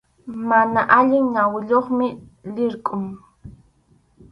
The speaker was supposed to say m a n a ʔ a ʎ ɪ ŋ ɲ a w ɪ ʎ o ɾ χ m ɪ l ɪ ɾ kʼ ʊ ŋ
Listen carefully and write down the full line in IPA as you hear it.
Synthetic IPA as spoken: m a n a ʔ a ʎ ɪ ŋ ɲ a w ɪ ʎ o χ m ɪ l ɪ ɾ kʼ ʊ ŋ